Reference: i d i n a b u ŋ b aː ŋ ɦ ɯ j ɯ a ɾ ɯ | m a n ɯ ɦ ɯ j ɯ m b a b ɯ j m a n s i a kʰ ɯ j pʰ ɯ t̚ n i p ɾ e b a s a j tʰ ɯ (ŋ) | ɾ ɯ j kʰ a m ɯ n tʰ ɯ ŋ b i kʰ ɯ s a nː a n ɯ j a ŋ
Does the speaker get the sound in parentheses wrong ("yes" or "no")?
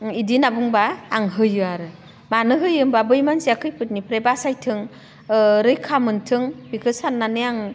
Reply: no